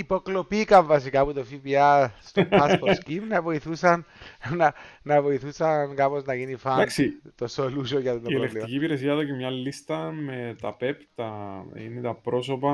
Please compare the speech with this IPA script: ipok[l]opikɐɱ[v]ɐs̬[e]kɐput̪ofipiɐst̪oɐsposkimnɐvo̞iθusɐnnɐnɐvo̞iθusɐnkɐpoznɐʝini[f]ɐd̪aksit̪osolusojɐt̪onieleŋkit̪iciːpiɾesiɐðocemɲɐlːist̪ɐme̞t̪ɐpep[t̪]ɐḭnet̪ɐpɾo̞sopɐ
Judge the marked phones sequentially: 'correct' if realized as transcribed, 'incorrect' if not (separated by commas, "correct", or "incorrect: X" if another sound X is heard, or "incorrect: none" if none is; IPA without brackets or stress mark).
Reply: correct, correct, incorrect: i, correct, correct